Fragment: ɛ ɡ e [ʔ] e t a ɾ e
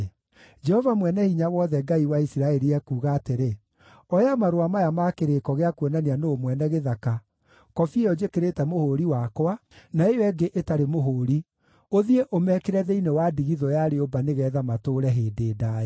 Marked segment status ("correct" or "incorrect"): correct